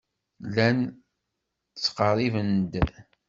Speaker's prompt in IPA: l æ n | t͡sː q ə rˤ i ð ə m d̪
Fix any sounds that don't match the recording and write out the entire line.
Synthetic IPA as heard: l æ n | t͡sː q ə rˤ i v ə n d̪